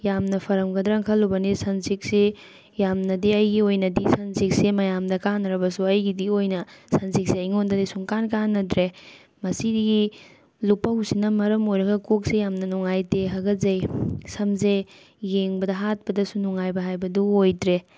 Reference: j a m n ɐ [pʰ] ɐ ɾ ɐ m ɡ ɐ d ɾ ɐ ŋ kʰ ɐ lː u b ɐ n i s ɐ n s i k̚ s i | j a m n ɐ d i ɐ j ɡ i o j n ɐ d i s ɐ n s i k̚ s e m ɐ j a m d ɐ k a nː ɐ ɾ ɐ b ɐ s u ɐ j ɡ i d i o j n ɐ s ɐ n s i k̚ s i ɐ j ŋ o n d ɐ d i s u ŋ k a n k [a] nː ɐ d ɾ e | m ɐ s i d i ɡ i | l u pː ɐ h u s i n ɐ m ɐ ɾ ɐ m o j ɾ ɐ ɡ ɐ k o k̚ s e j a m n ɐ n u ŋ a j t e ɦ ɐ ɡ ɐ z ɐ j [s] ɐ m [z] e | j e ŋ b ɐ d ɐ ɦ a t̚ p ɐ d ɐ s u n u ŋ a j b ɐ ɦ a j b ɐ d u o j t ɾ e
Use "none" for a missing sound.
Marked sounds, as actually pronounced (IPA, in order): pʰ, a, s, z

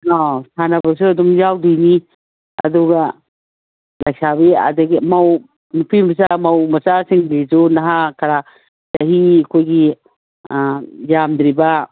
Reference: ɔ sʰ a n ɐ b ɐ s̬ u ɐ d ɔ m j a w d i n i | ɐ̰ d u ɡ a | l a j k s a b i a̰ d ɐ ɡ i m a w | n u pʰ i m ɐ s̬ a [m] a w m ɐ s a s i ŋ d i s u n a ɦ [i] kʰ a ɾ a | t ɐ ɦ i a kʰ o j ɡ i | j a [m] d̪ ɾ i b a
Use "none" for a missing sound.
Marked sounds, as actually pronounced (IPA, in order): m, a, m

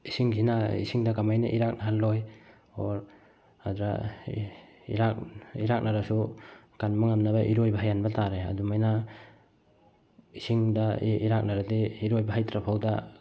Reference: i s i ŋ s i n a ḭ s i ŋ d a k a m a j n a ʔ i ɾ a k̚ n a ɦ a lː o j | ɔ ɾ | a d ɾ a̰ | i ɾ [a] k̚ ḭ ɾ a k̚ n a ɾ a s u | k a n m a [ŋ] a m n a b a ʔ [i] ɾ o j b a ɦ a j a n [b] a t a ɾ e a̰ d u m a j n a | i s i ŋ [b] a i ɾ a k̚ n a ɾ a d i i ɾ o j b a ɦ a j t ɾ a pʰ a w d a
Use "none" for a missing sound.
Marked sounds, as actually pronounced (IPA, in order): a, ŋ, i, b, d

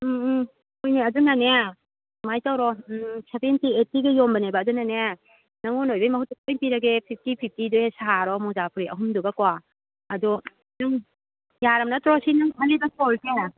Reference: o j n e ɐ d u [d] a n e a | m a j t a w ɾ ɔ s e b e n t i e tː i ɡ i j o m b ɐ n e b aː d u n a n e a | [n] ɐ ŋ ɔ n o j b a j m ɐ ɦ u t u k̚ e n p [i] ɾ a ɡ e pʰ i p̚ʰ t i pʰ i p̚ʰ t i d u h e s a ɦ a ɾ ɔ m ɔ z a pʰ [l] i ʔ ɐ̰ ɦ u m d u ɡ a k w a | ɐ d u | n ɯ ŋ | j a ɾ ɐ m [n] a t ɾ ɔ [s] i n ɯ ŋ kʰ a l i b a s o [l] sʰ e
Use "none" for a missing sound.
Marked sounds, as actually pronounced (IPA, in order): n, n, i, ɾ, n, s, l

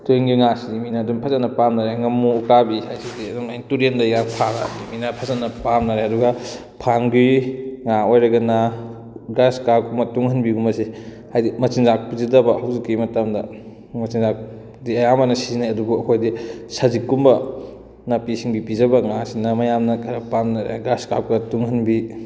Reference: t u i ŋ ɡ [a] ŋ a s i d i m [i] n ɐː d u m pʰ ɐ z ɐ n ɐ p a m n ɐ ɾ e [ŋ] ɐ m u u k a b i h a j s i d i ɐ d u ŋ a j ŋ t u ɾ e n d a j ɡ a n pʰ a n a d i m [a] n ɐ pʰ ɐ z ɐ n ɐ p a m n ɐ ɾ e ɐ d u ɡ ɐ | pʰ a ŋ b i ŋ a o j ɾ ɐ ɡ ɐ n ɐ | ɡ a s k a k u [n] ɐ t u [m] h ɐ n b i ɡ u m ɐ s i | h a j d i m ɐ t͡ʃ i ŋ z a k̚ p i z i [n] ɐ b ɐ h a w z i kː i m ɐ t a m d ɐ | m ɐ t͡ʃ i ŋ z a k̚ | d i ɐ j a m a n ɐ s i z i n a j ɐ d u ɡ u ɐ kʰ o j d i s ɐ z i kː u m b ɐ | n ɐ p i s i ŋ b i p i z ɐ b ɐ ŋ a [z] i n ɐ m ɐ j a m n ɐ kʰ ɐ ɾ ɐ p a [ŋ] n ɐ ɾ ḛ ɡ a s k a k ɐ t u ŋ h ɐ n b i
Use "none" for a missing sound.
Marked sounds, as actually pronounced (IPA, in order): i, i, ŋ, i, m, ŋ, d, s, m

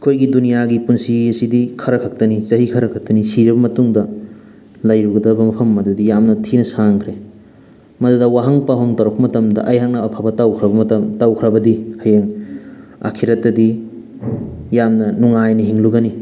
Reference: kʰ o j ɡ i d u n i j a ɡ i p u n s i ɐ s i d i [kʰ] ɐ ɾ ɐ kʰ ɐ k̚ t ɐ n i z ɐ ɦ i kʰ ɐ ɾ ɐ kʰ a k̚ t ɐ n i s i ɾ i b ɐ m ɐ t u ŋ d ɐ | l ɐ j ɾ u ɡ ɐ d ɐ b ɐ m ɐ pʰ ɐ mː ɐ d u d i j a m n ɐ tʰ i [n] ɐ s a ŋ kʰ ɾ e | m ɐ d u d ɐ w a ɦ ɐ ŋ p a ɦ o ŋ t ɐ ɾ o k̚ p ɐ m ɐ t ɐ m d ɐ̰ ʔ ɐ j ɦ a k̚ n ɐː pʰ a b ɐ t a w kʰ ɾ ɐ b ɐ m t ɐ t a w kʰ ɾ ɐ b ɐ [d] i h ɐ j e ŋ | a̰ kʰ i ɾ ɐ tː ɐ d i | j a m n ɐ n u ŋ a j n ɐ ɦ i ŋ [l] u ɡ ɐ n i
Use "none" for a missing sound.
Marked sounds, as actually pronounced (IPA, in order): kʰ, n, d, l

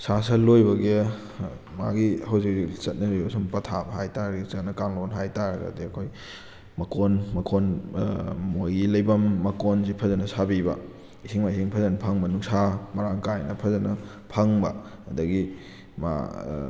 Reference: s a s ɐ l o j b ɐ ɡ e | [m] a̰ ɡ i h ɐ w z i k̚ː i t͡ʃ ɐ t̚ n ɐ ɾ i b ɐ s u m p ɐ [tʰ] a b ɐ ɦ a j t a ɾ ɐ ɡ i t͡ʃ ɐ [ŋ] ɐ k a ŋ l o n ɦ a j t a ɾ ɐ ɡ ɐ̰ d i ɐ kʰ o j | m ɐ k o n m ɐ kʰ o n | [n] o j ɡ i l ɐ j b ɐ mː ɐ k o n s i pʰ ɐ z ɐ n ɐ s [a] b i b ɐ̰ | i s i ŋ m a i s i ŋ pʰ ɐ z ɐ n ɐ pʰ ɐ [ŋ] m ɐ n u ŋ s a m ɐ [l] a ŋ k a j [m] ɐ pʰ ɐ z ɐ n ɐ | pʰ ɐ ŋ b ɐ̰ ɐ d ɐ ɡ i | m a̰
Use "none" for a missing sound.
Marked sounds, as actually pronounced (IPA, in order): m, tʰ, n, m, a, ŋ, ɾ, n

